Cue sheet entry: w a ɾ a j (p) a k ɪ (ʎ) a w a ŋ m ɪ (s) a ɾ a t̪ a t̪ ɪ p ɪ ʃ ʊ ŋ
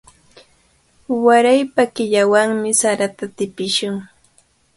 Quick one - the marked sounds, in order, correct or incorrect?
correct, correct, correct

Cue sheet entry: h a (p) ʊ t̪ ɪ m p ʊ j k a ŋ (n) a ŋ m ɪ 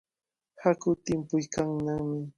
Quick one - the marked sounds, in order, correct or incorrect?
incorrect: k, correct

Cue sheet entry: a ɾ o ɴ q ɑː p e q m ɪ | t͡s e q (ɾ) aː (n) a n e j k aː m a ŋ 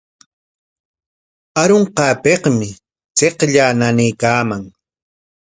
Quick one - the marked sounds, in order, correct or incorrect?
incorrect: ʎ, correct

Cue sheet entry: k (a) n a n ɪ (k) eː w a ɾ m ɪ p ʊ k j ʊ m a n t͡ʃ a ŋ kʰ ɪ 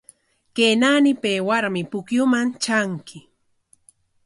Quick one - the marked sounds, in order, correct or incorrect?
incorrect: e, incorrect: p

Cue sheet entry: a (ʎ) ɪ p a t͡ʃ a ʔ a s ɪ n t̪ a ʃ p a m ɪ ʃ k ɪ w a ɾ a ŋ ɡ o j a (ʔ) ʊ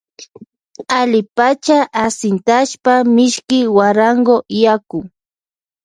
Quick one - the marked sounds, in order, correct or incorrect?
incorrect: l, incorrect: k

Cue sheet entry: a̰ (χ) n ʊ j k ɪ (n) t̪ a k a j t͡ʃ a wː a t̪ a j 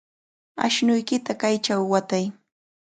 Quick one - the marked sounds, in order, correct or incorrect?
incorrect: ʃ, incorrect: none

